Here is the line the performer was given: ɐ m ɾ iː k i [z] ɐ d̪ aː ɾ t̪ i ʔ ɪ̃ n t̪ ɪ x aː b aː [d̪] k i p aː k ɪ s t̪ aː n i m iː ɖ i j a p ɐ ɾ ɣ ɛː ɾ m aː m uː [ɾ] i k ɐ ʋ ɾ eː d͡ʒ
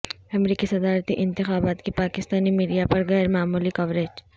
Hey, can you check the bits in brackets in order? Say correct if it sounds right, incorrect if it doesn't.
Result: incorrect: s, incorrect: t̪, incorrect: l

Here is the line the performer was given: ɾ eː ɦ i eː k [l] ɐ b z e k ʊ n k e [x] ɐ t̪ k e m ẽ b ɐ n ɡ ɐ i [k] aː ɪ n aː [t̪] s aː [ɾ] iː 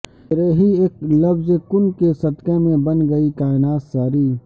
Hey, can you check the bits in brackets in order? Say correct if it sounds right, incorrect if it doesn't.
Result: correct, incorrect: s, correct, correct, correct

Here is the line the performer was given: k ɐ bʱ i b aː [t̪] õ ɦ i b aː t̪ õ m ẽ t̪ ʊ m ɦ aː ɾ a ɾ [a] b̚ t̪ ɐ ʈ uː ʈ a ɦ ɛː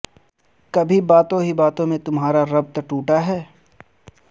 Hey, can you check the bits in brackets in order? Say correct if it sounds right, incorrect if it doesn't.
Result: correct, incorrect: ɐ

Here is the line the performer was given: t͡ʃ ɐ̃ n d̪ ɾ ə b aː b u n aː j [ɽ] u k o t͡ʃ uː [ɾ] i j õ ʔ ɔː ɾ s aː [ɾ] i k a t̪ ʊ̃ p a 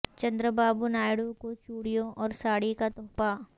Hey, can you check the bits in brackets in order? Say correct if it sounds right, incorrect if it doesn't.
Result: correct, incorrect: ɽ, incorrect: ɽ

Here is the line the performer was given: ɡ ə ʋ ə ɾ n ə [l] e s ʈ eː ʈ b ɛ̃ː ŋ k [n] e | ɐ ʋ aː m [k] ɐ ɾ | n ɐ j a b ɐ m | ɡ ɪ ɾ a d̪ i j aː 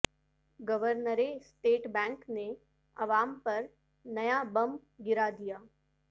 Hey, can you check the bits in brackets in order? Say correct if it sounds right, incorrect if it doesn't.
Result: incorrect: ɾ, correct, incorrect: p

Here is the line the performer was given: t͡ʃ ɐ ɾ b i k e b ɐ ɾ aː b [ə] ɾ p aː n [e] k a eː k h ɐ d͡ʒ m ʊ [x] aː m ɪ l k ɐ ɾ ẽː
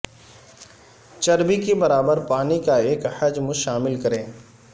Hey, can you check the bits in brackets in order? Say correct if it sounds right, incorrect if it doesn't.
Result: correct, incorrect: i, incorrect: ʃ

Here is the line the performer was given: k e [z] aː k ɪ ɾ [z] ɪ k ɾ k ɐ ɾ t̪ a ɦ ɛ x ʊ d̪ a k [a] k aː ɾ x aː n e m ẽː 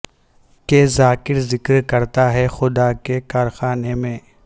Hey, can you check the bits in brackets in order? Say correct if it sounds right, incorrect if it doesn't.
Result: correct, correct, incorrect: e

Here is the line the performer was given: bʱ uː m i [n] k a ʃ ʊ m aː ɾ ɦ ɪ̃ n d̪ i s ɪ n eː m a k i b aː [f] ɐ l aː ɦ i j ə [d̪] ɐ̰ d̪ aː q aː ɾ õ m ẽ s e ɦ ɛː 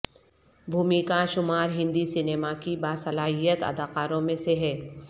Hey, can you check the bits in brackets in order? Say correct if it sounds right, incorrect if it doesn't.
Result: incorrect: none, incorrect: s, incorrect: t̪

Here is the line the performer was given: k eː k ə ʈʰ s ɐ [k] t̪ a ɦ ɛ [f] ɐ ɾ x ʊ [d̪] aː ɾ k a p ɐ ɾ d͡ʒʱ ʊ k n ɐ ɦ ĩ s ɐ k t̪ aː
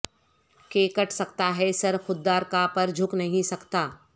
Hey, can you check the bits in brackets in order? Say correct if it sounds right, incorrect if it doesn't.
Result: correct, incorrect: s, incorrect: d̪ː

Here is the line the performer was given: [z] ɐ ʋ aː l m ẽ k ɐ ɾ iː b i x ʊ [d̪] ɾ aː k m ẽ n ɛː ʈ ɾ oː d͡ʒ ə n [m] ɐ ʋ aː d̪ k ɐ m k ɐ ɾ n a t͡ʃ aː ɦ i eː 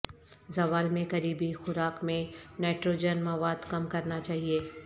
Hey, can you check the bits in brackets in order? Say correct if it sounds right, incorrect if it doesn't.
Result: correct, incorrect: none, correct

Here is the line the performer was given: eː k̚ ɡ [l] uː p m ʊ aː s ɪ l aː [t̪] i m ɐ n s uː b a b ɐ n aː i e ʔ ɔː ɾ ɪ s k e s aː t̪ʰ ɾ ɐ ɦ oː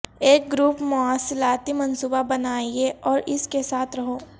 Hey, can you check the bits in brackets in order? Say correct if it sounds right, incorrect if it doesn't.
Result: incorrect: ɾ, correct

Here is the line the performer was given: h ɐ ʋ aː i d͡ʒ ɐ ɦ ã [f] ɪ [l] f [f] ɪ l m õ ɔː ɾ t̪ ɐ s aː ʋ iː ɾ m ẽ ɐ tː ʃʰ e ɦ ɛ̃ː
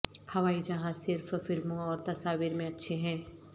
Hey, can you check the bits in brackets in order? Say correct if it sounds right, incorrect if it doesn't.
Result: incorrect: s, incorrect: ɾ, correct

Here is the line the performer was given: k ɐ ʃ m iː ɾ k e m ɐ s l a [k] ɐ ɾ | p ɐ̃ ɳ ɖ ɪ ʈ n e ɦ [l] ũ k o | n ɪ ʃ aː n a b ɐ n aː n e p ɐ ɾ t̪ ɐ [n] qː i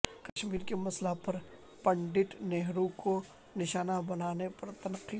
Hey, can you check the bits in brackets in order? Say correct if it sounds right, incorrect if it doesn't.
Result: incorrect: p, incorrect: ɾ, correct

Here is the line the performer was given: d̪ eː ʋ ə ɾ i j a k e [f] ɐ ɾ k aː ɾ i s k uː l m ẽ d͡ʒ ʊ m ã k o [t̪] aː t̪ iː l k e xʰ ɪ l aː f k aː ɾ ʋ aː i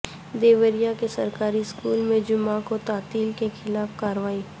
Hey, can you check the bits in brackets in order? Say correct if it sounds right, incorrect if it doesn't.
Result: incorrect: s, correct

